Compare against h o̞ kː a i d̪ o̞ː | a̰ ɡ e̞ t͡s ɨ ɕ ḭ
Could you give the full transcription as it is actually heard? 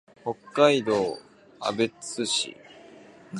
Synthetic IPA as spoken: h o̞ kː a i d̪ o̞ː | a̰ b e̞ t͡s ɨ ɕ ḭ